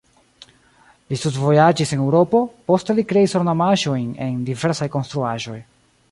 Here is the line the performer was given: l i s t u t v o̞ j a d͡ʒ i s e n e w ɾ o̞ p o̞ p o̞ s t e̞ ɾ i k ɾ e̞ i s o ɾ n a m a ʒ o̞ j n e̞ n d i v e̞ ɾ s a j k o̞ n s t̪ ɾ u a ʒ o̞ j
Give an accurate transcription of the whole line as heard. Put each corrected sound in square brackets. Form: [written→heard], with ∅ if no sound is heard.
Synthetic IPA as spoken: l i s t u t v o̞ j a d͡ʒ i s e n e w ɾ o̞ p o̞ p o̞ s t e̞ [ɾ→l] i k ɾ e̞ i s o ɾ n a m a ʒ o̞ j n e̞ n d i v e̞ ɾ s a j k o̞ n s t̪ ɾ u a ʒ o̞ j